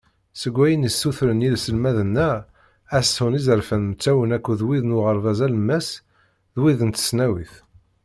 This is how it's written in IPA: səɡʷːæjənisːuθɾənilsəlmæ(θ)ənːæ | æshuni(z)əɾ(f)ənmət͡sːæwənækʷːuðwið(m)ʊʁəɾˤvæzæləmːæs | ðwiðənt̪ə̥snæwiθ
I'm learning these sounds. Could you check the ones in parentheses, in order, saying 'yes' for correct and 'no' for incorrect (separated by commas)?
no, yes, yes, no